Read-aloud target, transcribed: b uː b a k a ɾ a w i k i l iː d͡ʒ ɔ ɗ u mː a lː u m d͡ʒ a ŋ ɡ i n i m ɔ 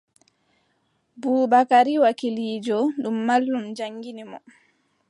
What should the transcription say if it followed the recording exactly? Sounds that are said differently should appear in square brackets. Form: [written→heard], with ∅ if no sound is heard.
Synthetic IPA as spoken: b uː b a k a ɾ [a→i] w [i→a] k i l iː d͡ʒ ɔ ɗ u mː a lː u m d͡ʒ a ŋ ɡ i n i m ɔ